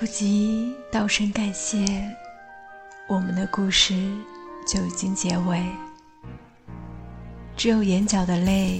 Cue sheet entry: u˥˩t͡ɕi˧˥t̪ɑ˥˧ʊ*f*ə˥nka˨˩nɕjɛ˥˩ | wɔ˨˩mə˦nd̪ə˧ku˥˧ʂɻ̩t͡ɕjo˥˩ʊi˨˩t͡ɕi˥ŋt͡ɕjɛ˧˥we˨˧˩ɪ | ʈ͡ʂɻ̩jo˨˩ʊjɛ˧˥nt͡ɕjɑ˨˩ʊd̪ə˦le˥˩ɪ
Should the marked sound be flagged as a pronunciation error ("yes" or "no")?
yes